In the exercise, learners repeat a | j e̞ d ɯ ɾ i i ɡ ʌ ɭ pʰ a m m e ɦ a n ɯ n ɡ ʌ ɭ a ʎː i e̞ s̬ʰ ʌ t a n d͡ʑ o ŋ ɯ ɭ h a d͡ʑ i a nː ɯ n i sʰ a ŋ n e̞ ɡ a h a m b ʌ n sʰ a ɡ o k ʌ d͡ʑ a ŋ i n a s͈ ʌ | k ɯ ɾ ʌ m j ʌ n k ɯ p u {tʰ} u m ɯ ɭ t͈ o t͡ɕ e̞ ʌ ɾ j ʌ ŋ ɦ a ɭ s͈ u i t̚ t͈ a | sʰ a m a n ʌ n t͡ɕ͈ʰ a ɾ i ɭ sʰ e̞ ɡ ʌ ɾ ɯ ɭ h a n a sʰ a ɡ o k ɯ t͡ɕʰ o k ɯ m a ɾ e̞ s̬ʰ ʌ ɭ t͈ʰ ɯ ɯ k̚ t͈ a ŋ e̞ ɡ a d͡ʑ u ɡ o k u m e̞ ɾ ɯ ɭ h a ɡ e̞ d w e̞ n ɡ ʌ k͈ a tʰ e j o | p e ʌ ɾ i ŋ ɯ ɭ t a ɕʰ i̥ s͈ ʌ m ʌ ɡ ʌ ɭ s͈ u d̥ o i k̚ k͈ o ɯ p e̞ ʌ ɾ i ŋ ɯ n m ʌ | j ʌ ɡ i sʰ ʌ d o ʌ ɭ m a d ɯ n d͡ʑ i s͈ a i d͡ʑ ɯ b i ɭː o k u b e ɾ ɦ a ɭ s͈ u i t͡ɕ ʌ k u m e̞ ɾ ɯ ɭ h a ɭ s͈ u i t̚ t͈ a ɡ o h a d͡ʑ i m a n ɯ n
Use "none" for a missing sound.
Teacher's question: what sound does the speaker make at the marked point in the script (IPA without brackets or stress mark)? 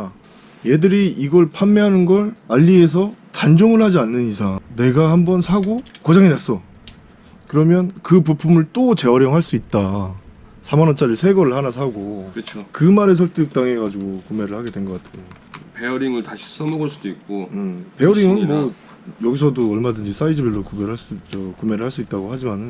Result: pʰ